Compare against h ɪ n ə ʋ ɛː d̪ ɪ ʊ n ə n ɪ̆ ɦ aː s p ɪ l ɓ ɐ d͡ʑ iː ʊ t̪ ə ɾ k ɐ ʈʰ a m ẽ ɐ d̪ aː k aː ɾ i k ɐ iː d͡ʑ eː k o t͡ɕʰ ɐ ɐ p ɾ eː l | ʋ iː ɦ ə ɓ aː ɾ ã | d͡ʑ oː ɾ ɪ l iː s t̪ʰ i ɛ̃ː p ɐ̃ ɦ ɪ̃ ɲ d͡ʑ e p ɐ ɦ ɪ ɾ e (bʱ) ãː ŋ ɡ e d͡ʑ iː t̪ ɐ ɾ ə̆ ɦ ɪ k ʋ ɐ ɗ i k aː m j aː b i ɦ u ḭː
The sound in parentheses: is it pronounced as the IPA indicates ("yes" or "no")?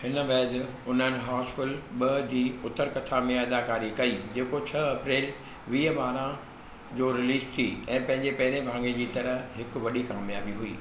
yes